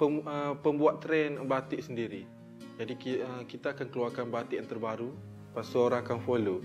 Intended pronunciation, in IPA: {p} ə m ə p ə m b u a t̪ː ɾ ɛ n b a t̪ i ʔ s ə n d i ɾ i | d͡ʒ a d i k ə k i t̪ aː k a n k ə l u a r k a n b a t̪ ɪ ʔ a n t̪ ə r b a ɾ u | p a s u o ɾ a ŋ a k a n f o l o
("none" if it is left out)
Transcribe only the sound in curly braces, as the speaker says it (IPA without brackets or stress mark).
p